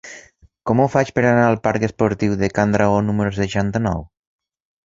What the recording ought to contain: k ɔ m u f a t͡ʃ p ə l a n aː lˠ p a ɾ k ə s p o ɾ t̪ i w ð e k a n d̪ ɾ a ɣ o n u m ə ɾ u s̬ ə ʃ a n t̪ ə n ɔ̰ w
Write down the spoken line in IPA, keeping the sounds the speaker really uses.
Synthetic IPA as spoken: k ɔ m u f a t͡ʃ p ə ɾ a n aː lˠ p a ɾ k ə s p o ɾ t̪ i w ð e k a n d̪ ɾ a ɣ o n u m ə ɾ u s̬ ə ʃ a n t̪ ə n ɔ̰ w